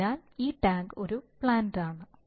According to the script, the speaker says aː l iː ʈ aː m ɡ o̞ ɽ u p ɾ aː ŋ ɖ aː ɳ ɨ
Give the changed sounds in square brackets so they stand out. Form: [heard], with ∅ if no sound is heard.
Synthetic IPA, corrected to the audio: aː l iː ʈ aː [ŋ] ɡ o̞ [ɾ] u p [ɭ] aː [n] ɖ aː ɳ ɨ